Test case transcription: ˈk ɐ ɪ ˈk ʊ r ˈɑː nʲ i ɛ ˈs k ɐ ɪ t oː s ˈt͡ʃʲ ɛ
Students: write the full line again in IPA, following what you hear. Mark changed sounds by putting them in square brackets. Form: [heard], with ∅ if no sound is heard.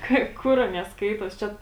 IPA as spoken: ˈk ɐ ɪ ˈk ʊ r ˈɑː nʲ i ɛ ˈs k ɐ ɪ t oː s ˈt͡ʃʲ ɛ